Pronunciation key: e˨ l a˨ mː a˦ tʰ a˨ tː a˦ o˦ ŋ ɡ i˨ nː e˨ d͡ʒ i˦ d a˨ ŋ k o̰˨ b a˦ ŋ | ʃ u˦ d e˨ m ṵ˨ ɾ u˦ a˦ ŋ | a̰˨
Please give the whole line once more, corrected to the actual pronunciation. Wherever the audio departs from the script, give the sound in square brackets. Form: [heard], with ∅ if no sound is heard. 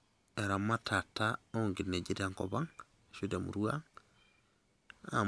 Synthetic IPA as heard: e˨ [ɾ] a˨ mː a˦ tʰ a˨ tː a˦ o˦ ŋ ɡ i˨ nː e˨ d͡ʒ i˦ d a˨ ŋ k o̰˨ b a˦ ŋ | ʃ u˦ d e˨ m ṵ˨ ɾ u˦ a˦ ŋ | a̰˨